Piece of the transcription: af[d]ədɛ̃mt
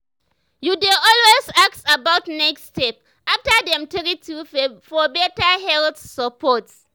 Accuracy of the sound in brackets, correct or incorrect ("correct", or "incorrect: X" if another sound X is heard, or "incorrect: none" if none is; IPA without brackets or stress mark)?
incorrect: t